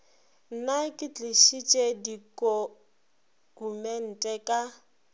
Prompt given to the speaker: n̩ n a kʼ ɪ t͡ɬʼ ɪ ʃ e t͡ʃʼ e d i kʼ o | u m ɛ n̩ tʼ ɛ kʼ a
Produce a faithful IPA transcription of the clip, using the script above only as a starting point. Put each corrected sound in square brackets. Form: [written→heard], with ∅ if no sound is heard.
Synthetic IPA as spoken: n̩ n a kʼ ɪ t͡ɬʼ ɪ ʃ [e→i] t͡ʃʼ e d i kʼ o | u m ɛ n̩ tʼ ɛ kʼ a